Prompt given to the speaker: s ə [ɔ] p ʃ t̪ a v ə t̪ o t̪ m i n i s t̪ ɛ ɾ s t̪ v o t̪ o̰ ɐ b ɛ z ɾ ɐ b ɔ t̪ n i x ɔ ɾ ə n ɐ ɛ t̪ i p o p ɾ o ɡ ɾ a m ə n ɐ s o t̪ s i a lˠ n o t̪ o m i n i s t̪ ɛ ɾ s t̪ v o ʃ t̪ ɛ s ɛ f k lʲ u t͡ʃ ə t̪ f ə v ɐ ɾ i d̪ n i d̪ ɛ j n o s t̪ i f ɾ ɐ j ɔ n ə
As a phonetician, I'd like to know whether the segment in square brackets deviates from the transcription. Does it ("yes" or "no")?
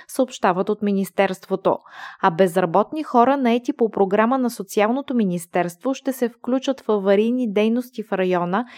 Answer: yes